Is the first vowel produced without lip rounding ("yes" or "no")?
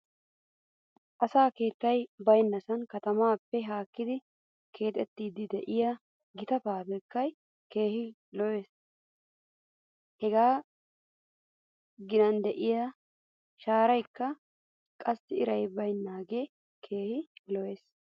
yes